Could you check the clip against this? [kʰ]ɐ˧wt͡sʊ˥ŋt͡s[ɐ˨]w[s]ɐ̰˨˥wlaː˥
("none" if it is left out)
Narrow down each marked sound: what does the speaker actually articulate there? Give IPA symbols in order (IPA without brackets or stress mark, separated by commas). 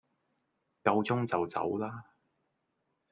k, ɐ˨, t͡s